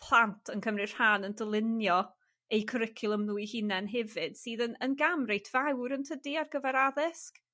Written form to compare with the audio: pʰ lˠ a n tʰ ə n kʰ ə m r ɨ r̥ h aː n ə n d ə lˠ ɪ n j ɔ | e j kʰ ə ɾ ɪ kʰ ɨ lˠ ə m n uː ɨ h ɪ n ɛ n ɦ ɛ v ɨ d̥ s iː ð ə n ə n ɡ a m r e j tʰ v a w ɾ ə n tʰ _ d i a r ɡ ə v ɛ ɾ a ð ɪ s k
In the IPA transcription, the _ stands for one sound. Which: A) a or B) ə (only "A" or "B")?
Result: B